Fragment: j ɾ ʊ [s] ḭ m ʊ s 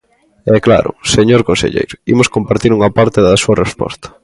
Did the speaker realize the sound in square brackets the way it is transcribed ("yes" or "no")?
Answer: no